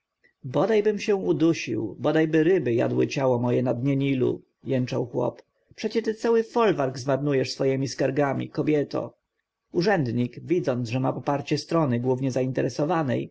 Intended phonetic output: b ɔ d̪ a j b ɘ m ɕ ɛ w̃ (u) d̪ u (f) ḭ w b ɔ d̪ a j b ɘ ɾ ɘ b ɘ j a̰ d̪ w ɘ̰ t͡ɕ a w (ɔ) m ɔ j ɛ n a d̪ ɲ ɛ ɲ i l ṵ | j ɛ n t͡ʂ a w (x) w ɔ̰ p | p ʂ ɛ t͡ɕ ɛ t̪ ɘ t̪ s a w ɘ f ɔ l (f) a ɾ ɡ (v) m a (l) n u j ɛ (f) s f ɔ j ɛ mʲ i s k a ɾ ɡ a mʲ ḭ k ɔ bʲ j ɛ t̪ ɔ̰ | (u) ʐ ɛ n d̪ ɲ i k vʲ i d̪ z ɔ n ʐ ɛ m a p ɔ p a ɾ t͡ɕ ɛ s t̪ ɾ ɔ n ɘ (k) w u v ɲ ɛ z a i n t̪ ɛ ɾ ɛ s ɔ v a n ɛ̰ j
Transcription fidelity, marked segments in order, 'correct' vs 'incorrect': correct, incorrect, correct, correct, incorrect, incorrect, incorrect, incorrect, correct, incorrect

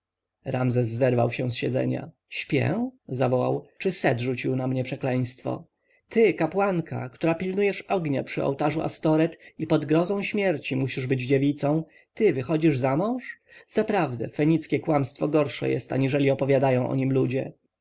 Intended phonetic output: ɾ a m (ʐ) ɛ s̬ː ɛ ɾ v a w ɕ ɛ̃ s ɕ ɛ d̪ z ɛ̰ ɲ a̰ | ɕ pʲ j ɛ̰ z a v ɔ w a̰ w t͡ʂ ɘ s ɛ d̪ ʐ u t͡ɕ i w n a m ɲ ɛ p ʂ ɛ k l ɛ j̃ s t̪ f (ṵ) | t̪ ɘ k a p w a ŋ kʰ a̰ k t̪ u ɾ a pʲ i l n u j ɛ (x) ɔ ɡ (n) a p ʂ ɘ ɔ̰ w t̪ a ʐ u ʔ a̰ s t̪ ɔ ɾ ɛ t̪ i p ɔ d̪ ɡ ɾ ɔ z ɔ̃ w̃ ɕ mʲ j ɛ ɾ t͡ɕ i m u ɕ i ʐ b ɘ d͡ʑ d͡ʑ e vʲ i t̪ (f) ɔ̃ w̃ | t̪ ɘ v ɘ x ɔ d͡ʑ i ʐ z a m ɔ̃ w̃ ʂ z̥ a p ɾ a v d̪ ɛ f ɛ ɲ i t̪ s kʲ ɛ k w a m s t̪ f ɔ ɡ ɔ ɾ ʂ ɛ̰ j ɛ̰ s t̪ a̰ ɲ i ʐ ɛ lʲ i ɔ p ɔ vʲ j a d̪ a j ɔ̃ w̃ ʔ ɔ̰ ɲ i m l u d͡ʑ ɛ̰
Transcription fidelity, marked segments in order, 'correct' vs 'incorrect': incorrect, incorrect, incorrect, incorrect, incorrect

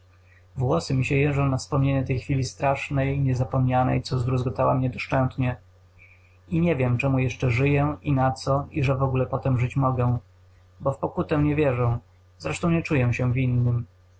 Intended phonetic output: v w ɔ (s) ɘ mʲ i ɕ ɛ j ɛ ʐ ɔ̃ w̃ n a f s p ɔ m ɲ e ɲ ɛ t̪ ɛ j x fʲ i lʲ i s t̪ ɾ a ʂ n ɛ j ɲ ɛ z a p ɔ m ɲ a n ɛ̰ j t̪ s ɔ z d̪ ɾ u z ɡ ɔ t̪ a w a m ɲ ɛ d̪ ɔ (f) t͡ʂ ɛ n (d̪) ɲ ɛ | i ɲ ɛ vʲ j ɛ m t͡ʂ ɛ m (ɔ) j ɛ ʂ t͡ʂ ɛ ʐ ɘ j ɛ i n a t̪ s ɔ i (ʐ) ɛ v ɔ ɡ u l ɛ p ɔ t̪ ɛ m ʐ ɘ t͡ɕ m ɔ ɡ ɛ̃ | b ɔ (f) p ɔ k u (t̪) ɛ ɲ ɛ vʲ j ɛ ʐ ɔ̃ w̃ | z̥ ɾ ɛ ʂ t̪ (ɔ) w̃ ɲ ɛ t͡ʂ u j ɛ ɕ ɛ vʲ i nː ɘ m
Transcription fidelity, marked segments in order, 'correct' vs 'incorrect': correct, incorrect, incorrect, incorrect, correct, correct, correct, incorrect

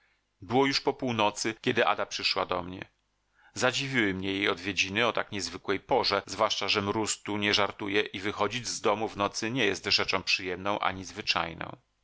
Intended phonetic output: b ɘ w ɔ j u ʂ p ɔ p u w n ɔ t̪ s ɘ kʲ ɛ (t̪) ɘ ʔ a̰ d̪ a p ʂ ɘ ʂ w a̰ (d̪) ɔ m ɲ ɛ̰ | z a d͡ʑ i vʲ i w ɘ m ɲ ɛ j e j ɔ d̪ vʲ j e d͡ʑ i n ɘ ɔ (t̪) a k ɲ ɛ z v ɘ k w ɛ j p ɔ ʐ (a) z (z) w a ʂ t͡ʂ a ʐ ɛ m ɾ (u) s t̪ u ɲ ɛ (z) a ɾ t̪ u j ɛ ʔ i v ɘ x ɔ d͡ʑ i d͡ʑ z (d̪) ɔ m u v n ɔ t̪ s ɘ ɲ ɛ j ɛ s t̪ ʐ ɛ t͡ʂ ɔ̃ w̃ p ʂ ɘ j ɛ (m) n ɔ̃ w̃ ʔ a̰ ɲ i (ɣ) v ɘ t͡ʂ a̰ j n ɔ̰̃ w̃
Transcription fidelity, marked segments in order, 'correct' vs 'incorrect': incorrect, correct, correct, incorrect, incorrect, correct, incorrect, correct, correct, incorrect

